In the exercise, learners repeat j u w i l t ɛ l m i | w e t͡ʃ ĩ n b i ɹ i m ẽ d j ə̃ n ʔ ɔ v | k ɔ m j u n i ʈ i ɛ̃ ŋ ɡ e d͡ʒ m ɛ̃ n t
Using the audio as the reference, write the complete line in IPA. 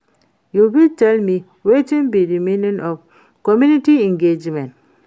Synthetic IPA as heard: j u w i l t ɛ l m i | w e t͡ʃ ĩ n b i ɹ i m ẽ n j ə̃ n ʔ ɔ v | k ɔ m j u n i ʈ i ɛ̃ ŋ ɡ e d͡ʒ m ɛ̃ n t